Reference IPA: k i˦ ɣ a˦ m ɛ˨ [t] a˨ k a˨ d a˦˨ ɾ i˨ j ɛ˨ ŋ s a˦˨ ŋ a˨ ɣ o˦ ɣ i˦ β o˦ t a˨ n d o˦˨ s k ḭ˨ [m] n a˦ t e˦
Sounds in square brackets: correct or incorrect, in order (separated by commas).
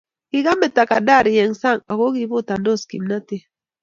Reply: correct, correct